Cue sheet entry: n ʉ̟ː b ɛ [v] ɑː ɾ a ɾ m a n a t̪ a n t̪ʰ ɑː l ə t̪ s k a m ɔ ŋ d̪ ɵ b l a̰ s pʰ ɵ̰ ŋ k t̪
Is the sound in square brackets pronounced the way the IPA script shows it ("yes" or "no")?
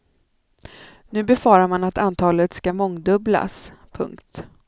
no